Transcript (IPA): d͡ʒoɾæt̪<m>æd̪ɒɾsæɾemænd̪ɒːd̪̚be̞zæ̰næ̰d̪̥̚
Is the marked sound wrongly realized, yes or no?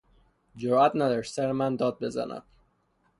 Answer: yes